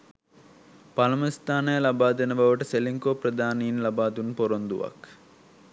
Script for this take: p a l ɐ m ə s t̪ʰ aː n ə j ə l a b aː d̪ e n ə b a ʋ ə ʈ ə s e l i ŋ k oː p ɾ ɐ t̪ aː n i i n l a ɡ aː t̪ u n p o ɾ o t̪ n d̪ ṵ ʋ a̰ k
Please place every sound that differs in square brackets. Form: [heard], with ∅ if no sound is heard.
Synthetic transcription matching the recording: p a l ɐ m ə s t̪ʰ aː n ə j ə l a b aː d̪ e n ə b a ʋ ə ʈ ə s e l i ŋ k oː p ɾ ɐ [d̪] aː n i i n l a [b] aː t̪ u n p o ɾ o [∅] n d̪ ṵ ʋ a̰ k

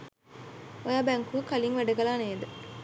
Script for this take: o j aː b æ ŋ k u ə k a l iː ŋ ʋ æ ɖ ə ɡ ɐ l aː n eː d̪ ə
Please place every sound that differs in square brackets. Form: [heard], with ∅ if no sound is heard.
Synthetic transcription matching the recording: o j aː b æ ŋ k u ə k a l [i] ŋ ʋ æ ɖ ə ɡ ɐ l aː n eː d̪ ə

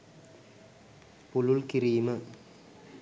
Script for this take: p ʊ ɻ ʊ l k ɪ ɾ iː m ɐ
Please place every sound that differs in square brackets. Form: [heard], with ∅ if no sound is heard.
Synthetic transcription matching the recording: p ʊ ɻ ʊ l k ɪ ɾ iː m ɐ

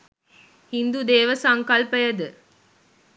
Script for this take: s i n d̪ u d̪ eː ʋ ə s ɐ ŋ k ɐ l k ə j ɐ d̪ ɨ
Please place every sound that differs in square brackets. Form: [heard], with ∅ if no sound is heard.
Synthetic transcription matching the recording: [h] i n d̪ u d̪ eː ʋ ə s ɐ ŋ k ɐ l [p] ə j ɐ d̪ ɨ

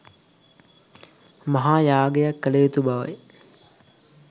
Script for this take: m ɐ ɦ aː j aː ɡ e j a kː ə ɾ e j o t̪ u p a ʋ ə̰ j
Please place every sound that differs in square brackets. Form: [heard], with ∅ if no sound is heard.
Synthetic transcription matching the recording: m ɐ ɦ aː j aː ɡ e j a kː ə [l] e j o t̪ u [b] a ʋ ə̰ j

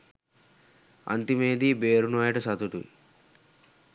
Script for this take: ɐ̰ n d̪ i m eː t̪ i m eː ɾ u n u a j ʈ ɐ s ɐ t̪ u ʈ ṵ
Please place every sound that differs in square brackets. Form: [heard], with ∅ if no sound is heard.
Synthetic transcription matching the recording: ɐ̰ n [t̪] i m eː [d̪] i [b] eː ɾ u n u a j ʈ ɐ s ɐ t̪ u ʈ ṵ

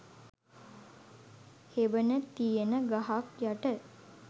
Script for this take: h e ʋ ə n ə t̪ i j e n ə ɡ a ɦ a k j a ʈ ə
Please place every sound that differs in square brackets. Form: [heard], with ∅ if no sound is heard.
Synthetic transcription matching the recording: h e ʋ ə n ə t̪ i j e n ə ɡ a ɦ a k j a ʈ ə

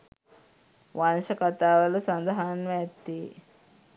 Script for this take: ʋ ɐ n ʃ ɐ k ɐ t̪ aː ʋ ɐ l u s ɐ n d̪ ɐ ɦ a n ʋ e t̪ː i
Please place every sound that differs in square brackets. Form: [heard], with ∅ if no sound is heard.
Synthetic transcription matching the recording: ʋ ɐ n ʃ ɐ k ɐ t̪ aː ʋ ɐ l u s ɐ n d̪ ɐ ɦ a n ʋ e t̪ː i

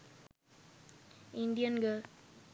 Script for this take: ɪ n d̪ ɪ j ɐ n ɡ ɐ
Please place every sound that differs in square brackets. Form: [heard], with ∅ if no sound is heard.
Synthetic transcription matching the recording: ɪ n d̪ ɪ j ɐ n ɡ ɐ

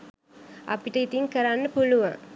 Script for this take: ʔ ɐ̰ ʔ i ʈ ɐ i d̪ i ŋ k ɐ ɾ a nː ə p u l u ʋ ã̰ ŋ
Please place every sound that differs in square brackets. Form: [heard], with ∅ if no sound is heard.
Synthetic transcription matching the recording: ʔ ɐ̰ [p] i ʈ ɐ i [t̪] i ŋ k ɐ ɾ a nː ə p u l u ʋ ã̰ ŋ

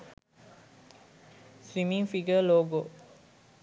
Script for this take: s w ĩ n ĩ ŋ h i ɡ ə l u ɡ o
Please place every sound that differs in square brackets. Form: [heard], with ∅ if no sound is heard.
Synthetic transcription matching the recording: s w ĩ [m] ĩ ŋ [f] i ɡ ə l [o] ɡ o

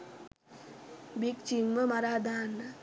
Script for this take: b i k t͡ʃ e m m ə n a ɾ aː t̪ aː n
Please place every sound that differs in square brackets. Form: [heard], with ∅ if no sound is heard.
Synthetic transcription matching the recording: b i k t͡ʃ [i] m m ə [m] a ɾ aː [d̪] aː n

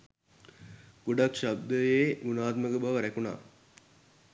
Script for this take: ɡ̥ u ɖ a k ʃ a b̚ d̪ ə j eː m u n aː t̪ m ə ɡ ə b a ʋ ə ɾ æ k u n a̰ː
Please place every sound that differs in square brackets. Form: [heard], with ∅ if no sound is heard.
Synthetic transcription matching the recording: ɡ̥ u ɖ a k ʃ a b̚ d̪ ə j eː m u n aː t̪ m ə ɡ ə b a ʋ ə ɾ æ k u n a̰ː

